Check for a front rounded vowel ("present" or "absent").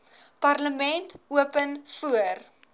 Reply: absent